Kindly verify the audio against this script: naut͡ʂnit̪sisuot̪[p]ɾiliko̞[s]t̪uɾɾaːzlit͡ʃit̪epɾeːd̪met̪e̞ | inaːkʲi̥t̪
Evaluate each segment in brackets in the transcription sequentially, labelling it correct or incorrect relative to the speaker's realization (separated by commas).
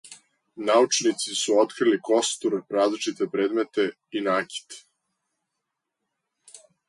incorrect, correct